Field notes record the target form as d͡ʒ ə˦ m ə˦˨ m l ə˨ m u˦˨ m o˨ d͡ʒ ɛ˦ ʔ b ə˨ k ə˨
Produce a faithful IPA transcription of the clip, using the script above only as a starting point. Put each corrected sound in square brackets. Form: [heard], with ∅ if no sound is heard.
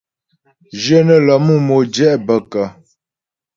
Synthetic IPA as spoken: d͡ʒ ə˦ [n] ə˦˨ [∅] l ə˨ m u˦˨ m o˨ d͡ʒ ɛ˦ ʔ b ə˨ k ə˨